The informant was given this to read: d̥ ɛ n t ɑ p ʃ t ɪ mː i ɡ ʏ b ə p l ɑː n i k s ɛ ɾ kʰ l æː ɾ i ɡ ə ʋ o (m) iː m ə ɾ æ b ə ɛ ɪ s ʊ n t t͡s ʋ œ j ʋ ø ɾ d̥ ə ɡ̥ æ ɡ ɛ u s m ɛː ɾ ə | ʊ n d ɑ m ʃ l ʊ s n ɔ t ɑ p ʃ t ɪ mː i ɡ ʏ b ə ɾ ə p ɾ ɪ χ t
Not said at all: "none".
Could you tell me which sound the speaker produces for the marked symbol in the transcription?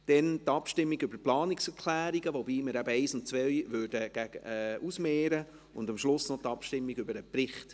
b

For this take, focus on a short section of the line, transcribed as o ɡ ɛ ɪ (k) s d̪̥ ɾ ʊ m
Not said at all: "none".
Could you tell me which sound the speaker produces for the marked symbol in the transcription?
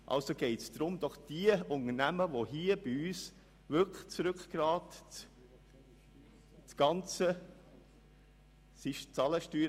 t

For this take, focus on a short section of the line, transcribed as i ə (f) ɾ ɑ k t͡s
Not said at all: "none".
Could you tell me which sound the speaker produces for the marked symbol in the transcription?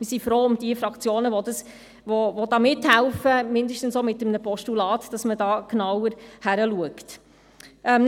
f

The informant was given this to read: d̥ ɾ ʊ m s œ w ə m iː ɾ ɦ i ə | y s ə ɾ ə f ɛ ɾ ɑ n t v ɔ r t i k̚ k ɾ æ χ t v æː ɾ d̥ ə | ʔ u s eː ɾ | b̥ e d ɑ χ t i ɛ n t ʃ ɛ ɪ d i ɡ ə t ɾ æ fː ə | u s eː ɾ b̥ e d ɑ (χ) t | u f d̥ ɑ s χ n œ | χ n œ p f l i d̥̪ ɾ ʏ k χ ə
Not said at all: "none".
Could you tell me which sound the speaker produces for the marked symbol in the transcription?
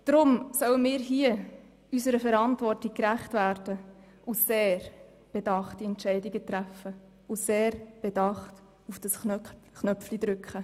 χ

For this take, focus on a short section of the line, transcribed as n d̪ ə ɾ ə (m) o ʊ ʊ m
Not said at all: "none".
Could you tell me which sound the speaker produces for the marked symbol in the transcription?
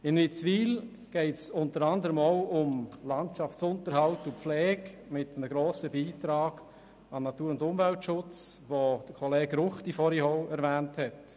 m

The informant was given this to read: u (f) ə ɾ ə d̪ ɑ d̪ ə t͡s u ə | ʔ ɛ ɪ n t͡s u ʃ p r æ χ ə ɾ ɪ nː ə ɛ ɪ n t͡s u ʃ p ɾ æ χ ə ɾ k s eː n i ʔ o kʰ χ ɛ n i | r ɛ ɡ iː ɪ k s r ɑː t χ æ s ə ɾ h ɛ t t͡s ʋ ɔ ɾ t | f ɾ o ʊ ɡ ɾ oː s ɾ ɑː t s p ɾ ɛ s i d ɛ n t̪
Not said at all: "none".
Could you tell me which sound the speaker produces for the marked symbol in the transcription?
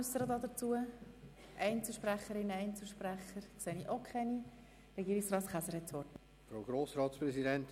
s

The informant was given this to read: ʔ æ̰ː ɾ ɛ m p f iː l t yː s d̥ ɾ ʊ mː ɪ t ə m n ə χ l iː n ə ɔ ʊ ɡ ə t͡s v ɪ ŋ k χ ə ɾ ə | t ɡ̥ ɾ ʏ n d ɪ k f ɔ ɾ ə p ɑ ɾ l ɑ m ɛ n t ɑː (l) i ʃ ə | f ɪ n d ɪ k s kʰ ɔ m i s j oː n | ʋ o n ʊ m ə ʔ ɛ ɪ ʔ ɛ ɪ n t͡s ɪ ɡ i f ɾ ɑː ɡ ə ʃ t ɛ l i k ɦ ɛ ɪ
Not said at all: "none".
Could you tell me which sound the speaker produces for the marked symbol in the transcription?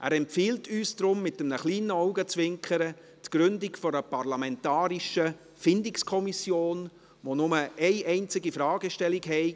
ɾ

